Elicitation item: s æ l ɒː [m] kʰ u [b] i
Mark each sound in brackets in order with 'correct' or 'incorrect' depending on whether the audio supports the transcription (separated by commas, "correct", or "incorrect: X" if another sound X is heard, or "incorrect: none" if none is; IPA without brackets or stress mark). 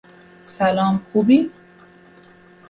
correct, correct